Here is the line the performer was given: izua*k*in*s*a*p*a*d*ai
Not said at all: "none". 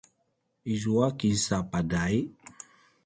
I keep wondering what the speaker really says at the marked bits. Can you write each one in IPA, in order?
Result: k, s, p, d

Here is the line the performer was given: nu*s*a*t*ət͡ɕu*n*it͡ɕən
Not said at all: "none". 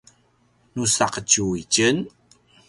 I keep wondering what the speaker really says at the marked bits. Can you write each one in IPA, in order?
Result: s, q, none

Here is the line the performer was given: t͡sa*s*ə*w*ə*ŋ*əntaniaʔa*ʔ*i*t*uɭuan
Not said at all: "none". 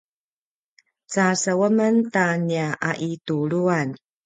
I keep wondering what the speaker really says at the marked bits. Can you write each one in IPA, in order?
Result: s, w, m, ʔ, t

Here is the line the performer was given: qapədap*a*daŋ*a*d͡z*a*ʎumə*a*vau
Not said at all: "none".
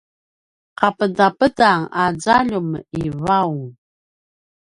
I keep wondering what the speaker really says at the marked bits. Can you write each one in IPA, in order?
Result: ə, a, a, i

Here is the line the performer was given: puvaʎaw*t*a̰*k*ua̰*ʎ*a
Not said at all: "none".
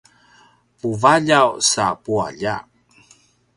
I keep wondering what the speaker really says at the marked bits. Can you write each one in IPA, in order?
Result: s, p, ʎ

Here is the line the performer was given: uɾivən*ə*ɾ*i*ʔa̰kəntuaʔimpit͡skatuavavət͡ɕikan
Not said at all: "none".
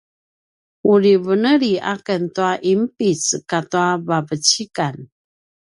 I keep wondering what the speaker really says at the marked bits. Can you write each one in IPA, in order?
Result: ə, i

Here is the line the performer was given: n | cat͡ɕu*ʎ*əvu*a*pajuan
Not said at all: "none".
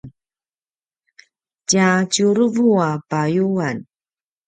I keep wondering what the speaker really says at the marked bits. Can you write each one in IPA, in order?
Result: ɾ, a

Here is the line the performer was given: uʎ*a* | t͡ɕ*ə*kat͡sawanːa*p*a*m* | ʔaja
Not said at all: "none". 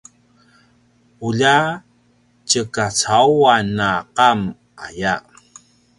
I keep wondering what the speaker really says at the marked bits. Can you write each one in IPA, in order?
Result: a, ə, q, m

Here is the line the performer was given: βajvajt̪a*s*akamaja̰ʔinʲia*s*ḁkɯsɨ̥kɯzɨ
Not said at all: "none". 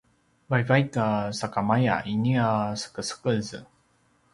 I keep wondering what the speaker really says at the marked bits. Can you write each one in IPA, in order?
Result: s, s

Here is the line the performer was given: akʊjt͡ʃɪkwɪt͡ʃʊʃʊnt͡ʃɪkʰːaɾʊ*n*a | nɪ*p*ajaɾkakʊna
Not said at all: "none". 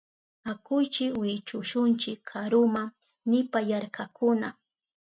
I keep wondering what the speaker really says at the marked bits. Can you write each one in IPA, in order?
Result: m, p

